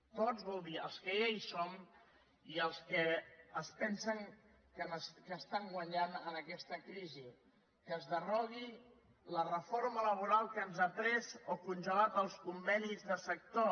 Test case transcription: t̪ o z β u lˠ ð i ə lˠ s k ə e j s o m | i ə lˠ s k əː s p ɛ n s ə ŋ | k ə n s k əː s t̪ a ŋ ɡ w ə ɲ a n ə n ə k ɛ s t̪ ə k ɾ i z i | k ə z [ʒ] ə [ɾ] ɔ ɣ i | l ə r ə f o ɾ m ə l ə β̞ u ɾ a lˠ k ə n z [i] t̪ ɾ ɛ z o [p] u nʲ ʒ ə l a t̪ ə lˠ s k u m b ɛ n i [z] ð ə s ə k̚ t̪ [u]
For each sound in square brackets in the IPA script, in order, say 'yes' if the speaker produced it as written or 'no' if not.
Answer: no, no, no, no, yes, no

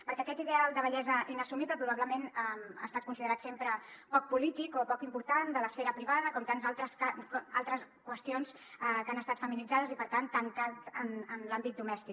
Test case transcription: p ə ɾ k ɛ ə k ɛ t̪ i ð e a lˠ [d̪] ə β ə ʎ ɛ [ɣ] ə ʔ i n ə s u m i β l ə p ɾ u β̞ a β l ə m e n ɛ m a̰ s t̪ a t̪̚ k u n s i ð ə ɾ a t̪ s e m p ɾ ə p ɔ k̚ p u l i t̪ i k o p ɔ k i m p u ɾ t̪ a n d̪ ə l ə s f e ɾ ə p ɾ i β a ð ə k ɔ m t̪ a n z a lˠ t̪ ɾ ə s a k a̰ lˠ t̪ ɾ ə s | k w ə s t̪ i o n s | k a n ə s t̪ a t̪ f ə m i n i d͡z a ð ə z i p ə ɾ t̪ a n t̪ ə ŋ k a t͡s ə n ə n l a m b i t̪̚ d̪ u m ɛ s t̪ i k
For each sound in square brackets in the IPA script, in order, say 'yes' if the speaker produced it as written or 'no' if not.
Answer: yes, no

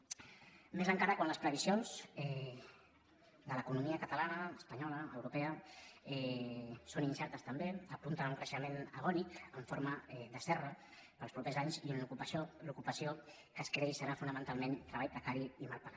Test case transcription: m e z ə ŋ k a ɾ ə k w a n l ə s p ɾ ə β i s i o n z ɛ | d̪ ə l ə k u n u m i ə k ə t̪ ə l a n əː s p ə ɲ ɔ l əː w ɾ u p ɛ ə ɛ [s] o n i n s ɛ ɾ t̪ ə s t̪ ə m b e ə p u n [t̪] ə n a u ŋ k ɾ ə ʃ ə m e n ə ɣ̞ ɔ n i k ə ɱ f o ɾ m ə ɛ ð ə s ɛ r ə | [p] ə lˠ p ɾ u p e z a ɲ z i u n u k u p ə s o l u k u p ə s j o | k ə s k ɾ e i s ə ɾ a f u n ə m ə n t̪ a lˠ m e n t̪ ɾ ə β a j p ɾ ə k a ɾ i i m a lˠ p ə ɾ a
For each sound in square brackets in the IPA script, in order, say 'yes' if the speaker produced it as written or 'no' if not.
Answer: yes, yes, yes

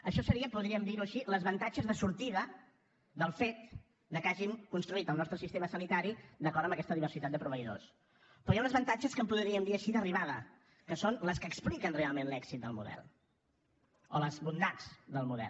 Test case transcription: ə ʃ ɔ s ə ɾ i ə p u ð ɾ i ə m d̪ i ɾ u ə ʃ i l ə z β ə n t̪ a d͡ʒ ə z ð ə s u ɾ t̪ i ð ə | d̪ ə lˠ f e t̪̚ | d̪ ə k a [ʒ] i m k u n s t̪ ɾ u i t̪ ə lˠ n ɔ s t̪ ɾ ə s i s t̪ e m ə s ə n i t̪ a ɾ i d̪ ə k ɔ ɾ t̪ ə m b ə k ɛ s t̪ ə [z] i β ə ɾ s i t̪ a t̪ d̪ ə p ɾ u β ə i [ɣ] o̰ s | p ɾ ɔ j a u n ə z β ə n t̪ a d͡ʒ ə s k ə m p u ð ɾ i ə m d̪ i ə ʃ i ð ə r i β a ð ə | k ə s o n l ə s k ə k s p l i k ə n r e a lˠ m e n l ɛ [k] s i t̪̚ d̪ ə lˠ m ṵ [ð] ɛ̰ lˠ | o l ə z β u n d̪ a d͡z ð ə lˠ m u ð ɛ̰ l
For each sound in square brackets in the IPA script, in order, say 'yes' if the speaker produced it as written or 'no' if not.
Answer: yes, no, no, yes, yes

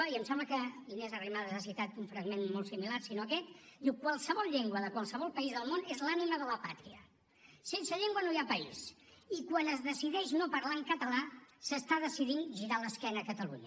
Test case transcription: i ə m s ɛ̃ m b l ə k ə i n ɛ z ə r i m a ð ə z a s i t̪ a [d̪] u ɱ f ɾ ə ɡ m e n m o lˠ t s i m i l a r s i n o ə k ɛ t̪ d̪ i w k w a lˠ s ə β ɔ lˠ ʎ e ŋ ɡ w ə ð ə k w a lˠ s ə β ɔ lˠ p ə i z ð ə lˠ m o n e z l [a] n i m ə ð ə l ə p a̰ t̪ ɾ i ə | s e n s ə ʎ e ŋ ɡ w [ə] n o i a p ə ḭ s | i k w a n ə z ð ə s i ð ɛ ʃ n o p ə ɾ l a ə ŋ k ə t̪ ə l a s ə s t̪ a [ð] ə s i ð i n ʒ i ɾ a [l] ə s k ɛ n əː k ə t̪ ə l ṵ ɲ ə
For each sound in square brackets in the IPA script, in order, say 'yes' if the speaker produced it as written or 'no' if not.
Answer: no, yes, yes, yes, yes

